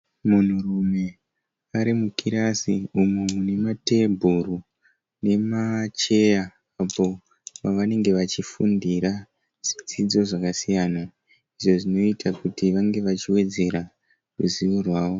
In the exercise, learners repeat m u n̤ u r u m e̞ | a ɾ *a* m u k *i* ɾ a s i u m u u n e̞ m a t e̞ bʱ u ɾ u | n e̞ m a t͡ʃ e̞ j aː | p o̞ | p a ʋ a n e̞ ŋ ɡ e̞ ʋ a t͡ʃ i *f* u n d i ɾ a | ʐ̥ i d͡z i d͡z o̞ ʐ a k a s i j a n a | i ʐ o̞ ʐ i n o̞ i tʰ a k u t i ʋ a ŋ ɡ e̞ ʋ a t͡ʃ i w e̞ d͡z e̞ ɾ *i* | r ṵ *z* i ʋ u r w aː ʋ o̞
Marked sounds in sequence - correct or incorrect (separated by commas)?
incorrect, correct, correct, incorrect, correct